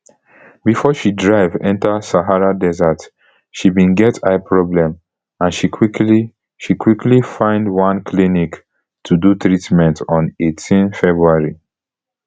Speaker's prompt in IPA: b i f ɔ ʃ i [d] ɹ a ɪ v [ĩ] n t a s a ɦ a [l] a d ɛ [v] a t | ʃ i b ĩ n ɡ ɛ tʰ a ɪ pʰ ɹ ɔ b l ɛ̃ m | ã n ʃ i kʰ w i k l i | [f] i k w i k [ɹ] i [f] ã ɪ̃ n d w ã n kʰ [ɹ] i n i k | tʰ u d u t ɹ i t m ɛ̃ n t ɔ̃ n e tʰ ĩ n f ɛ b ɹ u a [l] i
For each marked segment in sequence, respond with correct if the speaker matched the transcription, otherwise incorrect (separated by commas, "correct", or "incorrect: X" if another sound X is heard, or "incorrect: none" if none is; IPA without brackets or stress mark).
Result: correct, incorrect: ɛ̃, incorrect: ɹ, incorrect: z, incorrect: ʃ, incorrect: l, correct, incorrect: l, incorrect: ɹ